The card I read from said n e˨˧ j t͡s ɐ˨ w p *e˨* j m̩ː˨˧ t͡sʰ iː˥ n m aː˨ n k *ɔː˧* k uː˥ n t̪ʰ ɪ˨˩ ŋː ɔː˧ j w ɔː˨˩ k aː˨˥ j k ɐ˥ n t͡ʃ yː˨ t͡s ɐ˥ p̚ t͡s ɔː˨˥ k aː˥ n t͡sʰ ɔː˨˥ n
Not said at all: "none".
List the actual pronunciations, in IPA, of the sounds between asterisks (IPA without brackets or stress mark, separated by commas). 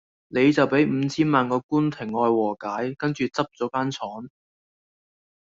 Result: e˨˥, ɔː˧